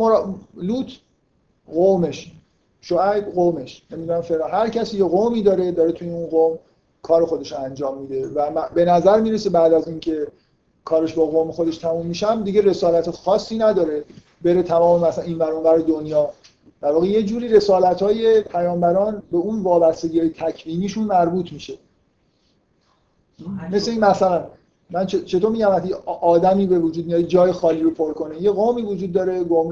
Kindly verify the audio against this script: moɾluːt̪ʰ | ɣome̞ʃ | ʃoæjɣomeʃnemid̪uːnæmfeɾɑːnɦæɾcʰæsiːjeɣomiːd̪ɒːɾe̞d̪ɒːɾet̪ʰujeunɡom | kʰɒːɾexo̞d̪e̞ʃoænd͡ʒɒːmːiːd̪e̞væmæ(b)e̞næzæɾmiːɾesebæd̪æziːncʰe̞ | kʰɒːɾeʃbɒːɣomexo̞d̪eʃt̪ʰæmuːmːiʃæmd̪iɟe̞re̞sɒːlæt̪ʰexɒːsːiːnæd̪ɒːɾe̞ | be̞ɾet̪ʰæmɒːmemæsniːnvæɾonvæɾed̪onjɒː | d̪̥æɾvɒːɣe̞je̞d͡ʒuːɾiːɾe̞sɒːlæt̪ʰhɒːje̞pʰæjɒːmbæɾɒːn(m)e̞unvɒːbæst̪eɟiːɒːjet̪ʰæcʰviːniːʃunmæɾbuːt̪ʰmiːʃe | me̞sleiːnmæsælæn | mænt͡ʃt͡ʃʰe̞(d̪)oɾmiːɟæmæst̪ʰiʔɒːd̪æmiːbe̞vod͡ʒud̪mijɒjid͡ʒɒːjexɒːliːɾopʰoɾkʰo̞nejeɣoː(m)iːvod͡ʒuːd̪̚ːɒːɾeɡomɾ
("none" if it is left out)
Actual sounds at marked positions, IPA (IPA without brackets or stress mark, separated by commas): b, b, t̪, m